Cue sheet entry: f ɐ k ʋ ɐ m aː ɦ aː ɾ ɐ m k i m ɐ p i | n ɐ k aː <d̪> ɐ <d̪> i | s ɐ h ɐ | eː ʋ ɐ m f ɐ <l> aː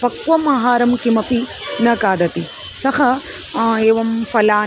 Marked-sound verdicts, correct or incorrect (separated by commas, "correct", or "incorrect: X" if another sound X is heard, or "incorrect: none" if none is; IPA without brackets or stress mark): correct, incorrect: t̪, correct